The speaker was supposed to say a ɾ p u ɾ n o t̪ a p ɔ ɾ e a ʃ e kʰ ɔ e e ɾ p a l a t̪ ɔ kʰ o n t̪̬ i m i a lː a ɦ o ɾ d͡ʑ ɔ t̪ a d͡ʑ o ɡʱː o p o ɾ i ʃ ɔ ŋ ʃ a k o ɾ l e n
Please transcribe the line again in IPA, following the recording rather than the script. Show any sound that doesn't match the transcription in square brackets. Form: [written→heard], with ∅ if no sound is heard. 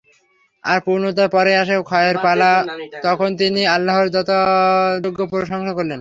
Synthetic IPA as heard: a ɾ p u ɾ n o t̪ a p ɔ ɾ e a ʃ e kʰ ɔ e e ɾ p a l a t̪ ɔ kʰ o n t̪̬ i [m→n] i a lː a ɦ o ɾ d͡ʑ ɔ t̪ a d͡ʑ o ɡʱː o p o ɾ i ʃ ɔ ŋ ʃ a k o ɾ l e n